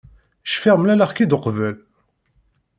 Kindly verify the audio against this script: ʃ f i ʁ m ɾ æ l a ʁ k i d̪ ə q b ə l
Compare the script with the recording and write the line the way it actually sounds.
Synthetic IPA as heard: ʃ f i ʁ m l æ l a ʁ k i d̪ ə q v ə l